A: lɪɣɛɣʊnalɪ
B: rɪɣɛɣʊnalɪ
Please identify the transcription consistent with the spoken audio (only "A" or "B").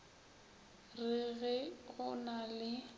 B